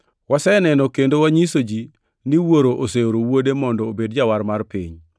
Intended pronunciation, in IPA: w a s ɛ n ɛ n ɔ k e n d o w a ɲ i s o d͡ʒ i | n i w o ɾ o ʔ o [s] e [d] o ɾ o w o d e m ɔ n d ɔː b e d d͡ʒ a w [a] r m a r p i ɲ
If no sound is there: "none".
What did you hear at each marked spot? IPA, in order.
s, none, a

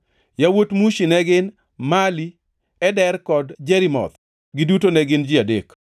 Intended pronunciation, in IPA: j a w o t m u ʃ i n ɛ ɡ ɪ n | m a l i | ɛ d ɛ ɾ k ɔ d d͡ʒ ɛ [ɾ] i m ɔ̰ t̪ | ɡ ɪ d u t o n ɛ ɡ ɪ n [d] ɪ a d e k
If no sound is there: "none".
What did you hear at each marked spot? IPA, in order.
ɾ, d͡ʒ

